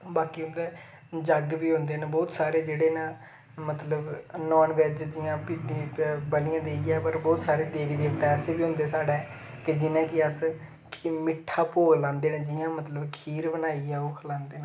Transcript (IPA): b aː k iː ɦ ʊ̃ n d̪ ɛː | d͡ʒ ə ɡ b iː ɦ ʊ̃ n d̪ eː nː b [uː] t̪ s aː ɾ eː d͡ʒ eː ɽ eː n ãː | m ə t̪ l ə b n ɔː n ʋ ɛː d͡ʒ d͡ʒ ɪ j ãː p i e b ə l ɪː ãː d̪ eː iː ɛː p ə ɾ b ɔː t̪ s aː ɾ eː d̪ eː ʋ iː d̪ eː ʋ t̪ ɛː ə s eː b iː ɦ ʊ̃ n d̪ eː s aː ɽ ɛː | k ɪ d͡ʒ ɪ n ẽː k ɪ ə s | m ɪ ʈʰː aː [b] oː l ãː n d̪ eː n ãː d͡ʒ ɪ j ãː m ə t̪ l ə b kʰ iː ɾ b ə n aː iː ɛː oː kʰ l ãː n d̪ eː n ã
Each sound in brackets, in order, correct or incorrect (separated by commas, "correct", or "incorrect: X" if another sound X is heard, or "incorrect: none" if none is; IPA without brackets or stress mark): incorrect: ɔː, incorrect: p